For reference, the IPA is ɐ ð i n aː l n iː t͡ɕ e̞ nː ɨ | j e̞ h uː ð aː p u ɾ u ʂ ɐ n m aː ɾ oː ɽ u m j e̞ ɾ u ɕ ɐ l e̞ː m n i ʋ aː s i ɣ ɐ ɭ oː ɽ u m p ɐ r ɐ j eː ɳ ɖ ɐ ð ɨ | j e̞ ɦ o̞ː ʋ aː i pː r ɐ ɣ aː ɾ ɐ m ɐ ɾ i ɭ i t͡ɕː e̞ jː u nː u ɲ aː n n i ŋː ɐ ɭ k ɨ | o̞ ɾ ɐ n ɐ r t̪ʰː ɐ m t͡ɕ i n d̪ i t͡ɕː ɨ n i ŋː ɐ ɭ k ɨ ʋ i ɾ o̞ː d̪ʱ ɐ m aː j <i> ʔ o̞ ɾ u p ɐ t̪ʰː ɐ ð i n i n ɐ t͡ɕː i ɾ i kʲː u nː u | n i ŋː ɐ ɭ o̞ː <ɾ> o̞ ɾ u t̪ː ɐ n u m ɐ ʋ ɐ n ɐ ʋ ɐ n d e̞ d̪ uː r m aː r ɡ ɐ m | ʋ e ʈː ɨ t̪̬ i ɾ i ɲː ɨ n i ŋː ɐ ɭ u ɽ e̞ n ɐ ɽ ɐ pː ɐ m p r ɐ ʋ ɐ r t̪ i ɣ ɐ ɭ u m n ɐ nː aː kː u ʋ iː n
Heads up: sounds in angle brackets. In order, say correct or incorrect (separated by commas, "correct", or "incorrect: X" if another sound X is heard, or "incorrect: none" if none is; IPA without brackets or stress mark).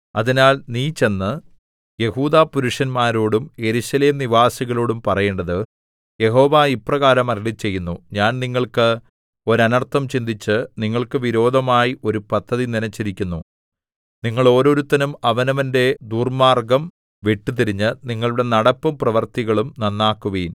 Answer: correct, correct